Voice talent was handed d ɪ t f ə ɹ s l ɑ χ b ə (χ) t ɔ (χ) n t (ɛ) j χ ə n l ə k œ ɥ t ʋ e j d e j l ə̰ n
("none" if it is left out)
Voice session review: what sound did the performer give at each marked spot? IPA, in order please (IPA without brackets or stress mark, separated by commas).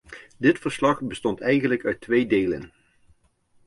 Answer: s, none, ɛ